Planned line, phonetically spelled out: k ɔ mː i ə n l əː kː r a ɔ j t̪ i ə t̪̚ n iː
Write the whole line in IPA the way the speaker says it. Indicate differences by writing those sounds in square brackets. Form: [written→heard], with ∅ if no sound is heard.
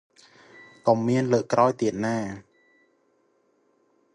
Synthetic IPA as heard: k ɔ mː i ə n l əː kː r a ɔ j t̪ i ə t̪̚ n [iː→aː]